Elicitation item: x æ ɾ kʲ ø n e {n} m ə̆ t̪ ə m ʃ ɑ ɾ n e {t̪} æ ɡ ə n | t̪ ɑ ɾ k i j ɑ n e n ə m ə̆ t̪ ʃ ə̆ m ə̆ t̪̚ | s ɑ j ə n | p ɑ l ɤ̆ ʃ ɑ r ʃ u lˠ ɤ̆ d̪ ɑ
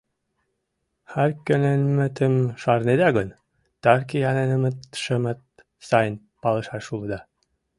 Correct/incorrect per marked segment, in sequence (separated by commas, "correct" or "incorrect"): correct, incorrect